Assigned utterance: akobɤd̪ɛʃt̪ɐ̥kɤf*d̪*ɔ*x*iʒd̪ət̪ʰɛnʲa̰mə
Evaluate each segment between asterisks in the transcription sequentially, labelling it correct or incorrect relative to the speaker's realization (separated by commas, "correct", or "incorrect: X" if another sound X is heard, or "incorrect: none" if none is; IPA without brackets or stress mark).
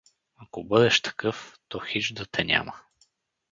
incorrect: t̪, correct